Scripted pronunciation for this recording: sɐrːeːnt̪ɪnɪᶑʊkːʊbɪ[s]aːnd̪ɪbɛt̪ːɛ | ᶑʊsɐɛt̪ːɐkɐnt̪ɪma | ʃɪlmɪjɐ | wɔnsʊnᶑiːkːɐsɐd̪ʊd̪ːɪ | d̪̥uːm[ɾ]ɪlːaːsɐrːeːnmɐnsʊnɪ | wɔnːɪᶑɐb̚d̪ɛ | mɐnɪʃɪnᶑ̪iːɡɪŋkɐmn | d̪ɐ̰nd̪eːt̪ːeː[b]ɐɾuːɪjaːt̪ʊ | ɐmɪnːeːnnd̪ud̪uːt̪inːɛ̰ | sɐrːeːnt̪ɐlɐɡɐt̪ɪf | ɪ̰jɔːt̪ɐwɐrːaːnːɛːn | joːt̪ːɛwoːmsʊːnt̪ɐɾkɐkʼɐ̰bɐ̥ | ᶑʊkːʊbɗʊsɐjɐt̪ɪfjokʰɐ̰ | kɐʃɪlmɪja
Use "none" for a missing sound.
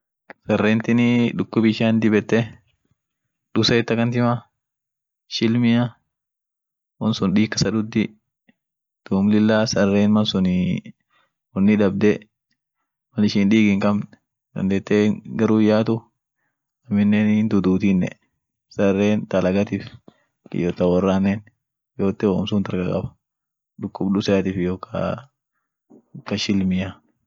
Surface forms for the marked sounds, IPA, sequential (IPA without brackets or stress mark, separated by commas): ʃ, l, ɡ